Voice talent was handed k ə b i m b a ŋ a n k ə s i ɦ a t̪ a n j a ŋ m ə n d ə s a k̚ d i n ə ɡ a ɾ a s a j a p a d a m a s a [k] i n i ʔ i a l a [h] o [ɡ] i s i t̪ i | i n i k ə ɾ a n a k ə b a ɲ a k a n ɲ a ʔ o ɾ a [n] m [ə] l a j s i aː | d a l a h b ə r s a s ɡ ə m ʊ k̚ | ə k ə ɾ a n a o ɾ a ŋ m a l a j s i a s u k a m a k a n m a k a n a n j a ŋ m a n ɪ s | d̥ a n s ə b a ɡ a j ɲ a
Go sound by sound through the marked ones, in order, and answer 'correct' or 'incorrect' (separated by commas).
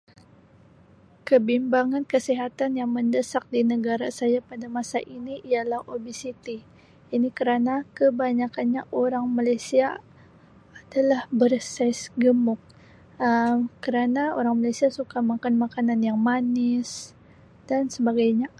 incorrect, correct, incorrect, incorrect, incorrect